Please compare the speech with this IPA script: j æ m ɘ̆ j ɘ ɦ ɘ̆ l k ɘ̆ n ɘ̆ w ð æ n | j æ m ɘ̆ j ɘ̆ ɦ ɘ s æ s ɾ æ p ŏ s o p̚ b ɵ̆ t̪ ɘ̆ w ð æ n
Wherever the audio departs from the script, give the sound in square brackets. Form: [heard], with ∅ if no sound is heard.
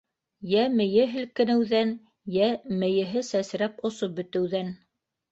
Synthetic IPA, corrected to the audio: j æ m ɘ̆ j ɘ ɦ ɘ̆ l k ɘ̆ n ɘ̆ w ð æ n | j æ m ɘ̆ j ɘ̆ ɦ ɘ s æ s ɾ æ p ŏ s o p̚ b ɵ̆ t̪ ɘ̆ w ð æ n